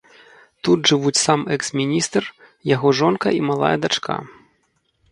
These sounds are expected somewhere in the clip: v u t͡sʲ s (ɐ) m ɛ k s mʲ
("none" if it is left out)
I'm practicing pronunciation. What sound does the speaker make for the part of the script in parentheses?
a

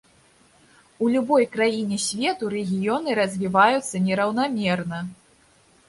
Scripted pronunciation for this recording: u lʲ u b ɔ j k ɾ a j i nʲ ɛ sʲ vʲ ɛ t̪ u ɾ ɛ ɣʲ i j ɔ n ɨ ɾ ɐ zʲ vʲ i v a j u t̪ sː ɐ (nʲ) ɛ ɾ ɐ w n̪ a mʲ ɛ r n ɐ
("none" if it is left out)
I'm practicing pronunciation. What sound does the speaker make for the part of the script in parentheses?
nʲ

